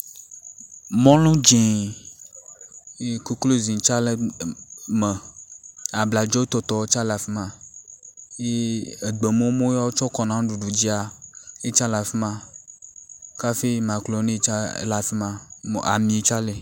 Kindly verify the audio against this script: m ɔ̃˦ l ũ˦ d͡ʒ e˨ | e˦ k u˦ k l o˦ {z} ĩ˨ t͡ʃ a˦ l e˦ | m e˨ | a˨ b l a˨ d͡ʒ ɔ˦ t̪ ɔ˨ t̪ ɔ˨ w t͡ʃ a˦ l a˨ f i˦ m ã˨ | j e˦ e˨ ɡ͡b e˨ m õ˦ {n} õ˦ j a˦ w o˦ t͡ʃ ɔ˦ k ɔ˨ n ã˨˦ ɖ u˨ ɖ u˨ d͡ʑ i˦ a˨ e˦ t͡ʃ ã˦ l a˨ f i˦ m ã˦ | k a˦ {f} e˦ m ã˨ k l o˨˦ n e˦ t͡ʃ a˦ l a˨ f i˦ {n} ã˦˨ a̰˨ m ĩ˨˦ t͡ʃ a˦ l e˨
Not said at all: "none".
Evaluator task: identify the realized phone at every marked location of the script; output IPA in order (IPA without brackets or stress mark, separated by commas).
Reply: z, m, f, m